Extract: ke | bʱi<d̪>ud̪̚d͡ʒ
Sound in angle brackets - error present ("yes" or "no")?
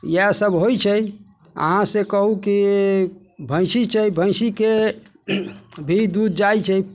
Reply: no